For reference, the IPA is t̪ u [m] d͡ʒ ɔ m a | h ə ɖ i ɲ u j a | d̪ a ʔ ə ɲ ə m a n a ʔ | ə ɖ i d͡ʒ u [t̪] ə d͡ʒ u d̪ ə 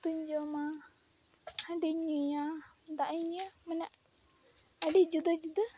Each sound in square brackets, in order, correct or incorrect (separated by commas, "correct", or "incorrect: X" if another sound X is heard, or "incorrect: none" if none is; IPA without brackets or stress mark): incorrect: ɲ, incorrect: d̪